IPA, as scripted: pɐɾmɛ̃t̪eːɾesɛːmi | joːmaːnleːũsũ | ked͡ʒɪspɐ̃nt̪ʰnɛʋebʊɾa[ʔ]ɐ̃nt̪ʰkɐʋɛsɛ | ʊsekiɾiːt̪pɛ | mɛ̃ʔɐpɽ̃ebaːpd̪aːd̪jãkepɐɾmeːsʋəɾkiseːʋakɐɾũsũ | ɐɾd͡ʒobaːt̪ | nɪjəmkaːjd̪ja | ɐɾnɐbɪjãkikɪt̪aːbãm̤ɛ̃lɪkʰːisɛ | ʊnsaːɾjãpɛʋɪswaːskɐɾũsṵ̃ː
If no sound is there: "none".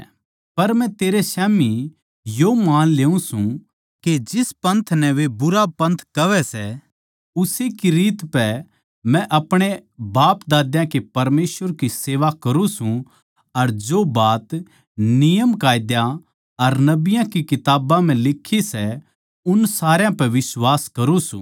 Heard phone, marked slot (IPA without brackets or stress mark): p